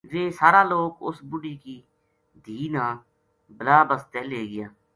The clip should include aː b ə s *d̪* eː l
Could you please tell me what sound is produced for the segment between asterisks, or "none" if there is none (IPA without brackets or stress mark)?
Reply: t̪